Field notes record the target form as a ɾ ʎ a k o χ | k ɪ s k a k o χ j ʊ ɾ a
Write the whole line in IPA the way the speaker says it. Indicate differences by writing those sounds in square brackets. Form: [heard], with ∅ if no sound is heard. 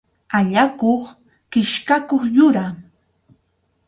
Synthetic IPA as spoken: a [∅] ʎ a k o χ | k ɪ [ʃ] k a k o χ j ʊ ɾ a